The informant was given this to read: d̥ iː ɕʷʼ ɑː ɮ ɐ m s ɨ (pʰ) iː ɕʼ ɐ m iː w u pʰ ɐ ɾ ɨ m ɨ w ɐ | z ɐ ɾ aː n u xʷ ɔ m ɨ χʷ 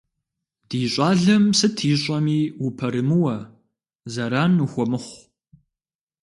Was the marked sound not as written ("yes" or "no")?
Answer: yes